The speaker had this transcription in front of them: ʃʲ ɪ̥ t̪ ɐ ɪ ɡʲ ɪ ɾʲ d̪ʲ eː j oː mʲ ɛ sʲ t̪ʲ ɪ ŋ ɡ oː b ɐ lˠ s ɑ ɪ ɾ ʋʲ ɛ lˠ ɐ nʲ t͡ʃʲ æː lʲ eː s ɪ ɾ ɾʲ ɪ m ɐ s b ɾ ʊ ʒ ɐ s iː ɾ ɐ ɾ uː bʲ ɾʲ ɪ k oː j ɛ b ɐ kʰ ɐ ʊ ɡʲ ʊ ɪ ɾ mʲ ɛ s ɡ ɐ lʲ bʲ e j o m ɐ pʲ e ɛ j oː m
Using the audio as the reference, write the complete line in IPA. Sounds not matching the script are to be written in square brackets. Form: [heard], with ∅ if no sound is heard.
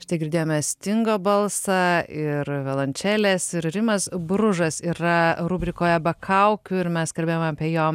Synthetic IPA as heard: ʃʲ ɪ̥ t̪ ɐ ɪ ɡʲ ɪ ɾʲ d̪ʲ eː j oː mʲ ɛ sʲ t̪ʲ ɪ ŋ ɡ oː b ɐ lˠ s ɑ ɪ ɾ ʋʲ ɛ lˠ ɐ nʲ t͡ʃʲ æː lʲ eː s ɪ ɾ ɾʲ ɪ m ɐ s b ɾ ʊ ʒ ɐ s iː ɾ ɐ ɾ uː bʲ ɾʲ ɪ k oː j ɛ b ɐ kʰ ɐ ʊ [kʲ] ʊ ɪ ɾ mʲ ɛ s [k] ɐ lʲ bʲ e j o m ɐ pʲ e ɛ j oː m